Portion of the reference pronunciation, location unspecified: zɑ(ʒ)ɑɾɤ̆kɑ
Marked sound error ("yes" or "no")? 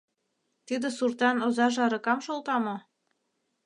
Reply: no